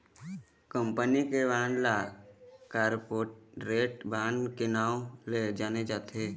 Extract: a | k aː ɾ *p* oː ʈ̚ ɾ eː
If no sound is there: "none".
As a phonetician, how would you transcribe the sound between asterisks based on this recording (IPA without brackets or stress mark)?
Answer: p